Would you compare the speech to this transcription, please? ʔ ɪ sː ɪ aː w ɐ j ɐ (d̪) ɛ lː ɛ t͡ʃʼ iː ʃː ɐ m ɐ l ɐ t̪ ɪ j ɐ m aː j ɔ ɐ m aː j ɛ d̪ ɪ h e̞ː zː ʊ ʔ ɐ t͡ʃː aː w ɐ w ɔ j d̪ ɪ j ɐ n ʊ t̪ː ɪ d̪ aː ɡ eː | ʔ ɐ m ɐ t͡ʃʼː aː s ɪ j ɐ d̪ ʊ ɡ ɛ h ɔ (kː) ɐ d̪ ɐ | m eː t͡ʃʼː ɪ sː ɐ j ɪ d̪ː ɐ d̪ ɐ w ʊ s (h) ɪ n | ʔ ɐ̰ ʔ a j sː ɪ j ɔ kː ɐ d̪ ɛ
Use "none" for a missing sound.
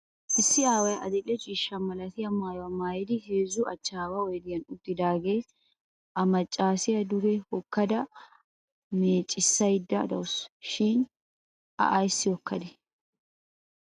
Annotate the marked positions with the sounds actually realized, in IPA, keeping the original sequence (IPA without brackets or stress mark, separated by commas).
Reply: d̪, kː, ʃ